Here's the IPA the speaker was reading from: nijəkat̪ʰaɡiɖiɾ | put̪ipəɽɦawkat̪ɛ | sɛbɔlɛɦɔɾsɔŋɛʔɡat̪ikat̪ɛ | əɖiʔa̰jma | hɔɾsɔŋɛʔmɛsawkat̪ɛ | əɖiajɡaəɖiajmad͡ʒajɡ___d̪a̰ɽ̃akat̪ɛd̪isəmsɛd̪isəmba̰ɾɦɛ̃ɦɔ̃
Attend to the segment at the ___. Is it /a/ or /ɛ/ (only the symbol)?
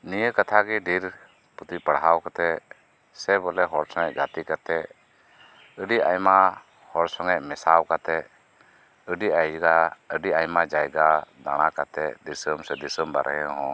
a